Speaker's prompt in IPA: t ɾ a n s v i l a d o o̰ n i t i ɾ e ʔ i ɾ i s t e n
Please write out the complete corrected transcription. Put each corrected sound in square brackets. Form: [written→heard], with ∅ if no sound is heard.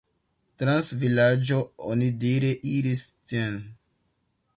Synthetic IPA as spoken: t ɾ a n s v i l a [d→d͡ʒ] o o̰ n i [t→d] i ɾ e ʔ i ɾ i s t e n